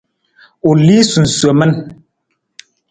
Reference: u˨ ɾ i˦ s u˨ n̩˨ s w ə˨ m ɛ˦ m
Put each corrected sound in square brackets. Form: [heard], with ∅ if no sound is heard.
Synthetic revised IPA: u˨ [l] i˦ s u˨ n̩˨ s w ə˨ m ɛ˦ [n]